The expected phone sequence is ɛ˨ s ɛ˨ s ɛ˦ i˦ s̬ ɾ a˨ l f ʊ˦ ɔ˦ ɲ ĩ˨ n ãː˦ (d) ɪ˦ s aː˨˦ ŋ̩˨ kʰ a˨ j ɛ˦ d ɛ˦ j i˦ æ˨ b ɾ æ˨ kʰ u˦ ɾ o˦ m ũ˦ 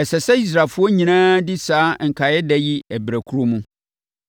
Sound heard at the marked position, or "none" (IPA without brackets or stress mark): d